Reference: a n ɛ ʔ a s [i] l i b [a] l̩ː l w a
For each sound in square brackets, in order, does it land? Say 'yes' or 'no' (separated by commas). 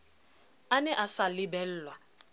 no, no